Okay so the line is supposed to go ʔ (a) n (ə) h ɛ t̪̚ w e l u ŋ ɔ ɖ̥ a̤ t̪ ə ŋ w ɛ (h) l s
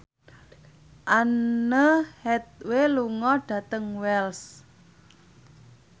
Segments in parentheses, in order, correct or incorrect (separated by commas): correct, correct, incorrect